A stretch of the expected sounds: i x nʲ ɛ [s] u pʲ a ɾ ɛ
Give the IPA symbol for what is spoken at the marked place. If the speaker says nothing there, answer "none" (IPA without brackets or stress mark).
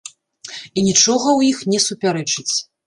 s